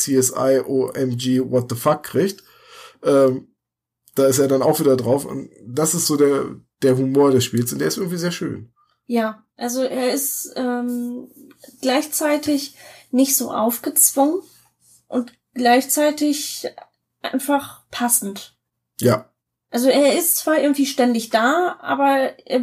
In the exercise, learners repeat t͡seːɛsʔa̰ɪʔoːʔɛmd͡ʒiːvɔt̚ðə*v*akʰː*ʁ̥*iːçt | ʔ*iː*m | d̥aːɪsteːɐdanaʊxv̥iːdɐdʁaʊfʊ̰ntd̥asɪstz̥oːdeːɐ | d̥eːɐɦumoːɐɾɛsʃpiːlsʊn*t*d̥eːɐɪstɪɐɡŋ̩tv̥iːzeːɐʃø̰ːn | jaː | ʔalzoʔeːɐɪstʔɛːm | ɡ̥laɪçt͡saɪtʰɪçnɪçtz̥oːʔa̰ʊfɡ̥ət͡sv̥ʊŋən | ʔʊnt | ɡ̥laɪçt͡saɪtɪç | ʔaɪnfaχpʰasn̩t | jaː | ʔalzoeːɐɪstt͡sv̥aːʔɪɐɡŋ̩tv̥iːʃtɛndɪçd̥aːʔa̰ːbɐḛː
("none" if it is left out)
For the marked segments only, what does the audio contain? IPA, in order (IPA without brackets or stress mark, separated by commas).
f, ʁ̥, ɛː, t